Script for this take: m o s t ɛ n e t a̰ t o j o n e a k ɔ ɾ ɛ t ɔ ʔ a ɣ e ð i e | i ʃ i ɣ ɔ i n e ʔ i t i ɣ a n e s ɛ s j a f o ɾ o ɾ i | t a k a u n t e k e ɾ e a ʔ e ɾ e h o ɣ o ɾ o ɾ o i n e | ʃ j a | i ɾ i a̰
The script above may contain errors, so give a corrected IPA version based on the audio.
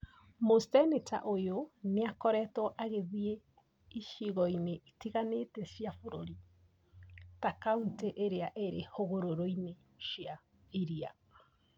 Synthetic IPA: m o s t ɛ n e t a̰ ʔ o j o n e a k ɔ ɾ ɛ t ɔ ʔ a ɣ e ð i e | i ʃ i ɣ ɔ i n e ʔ i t i ɣ a n e t ɛ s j a f o ɾ o ɾ i | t a k a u n t e ʔ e ɾ e a ʔ e ɾ e h o ɣ o ɾ o ɾ o i n e | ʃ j a | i ɾ i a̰

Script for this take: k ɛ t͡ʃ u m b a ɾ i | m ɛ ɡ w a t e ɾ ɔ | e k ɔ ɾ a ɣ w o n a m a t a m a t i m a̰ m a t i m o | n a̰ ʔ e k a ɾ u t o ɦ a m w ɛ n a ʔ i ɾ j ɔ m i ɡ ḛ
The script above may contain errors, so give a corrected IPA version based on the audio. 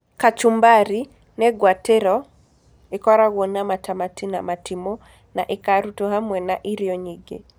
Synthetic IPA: k a t͡ʃ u m b a ɾ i | n ɛ ɡ w a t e ɾ ɔ | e k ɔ ɾ a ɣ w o n a m a t a m a t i n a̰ m a t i m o | n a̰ ʔ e k a ɾ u t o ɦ a m w ɛ n a ʔ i ɾ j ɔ ɲ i ɡ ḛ

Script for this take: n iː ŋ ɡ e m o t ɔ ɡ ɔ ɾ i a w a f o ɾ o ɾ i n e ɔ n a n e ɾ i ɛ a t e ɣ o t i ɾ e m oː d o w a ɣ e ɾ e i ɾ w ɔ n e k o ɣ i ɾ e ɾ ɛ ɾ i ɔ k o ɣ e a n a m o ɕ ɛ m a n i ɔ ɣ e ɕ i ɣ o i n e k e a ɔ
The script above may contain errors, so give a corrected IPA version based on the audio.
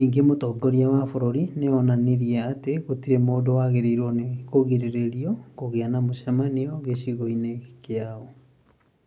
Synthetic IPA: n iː ŋ ɡ e m o t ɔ ɡ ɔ ɾ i a w a f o ɾ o ɾ i n e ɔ n a n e ɾ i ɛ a t e ɣ o t i ɾ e m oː d o w a ɣ e ɾ e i ɾ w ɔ n e k o ɣ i ɾ e ɾ e ɾ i ɔ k o ɣ e a n a m o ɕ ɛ m a n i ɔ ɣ e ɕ i ɣ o i n e k e a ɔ

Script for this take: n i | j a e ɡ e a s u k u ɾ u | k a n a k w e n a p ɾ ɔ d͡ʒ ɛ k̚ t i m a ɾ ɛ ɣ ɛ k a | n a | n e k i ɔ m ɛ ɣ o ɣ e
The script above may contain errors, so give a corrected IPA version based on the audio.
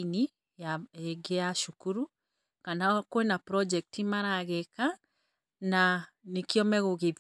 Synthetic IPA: n i | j a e ɡ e a ʃ u k u ɾ u | k a n a k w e n a p ɾ ɔ d͡ʒ ɛ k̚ t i m a ɾ a ɣ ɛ k a | n a | n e k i ɔ m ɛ ɣ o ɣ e

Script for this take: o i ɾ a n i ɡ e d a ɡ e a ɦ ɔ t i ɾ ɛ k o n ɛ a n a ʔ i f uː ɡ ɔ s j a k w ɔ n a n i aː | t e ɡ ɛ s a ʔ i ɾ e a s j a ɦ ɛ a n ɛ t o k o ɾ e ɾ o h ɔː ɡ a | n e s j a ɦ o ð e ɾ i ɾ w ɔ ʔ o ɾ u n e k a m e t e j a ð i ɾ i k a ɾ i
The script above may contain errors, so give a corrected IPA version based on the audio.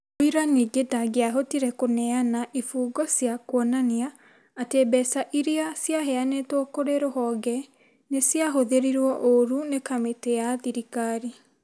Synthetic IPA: o i ɾ a n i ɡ e d a ɡ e a ɦ o t i ɾ ɛ k o n ɛ a n a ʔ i f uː ɡ ɔ s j a k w ɔ n a n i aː | t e b ɛ s a ʔ i ɾ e a s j a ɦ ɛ a n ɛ t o k o ɾ e ɾ o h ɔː ɡ ɛ | n e s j a ɦ o ð e ɾ i ɾ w ɔ ʔ o ɾ u n e k a m e t e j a ð i ɾ i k a ɾ i

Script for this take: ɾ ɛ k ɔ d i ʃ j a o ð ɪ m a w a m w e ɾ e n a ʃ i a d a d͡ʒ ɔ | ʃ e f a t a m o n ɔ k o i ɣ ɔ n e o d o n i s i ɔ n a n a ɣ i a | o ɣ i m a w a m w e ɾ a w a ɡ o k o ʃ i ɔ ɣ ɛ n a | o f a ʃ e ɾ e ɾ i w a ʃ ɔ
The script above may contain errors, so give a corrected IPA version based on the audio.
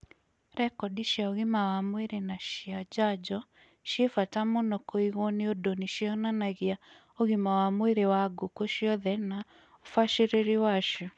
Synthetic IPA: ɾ ɛ k ɔ d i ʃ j a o ɣ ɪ m a w a m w e ɾ e n a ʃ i a d͡ʒ a d͡ʒ ɔ | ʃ e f a t a m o n ɔ k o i ɣ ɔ n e o d o n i ʃ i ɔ n a n a ɣ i a | o ɣ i m a w a m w e ɾ e w a ɡ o k o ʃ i ɔ ð ɛ n a | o f a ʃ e ɾ e ɾ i w a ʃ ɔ

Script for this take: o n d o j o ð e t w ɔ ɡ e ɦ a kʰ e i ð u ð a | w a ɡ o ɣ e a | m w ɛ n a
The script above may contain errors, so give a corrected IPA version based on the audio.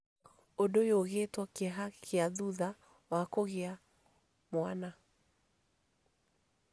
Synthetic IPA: o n d o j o ɣ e t w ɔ k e ɦ a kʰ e a ð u ð a | w a k o ɣ e a | m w a n a

